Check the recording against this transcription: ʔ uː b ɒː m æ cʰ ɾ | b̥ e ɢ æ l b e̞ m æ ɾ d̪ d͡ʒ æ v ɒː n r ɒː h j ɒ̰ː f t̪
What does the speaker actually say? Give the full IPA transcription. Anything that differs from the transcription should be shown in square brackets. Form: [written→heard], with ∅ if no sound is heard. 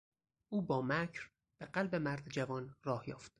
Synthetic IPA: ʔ uː b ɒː m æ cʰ ɾ | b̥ e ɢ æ l b e̞ m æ ɾ d̪ d͡ʒ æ v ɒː n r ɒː h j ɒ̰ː f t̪